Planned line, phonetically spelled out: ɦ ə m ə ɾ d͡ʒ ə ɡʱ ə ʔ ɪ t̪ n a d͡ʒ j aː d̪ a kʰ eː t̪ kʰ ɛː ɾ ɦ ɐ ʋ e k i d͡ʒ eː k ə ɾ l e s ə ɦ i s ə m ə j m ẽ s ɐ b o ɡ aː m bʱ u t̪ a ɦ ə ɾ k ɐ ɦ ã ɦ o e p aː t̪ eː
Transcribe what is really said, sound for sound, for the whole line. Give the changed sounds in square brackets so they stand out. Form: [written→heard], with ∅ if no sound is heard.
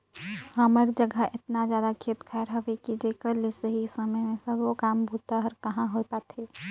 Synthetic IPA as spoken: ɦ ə m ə ɾ d͡ʒ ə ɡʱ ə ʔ ɪ t̪ n a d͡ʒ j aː d̪ a kʰ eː t̪ kʰ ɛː ɾ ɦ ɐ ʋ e k i d͡ʒ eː k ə ɾ l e s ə ɦ i s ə m ə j m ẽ s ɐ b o [ɡ→k] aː m bʱ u t̪ a ɦ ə ɾ k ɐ ɦ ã ɦ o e p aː t̪ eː